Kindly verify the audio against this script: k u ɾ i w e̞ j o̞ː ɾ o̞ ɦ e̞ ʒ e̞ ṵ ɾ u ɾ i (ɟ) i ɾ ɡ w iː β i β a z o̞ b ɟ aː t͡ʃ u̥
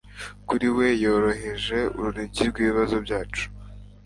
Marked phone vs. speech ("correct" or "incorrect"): correct